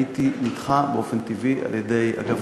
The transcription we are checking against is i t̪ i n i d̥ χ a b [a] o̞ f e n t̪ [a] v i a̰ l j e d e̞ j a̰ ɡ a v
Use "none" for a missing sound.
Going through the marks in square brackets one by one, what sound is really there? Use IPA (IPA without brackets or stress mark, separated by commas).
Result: e, i